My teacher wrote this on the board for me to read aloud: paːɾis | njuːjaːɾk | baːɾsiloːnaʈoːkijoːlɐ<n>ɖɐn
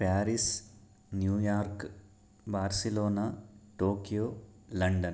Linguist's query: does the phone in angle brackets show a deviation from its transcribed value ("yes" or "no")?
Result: yes